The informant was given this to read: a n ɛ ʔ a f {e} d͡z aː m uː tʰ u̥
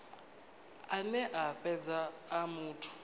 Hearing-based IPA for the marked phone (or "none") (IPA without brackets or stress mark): ɛ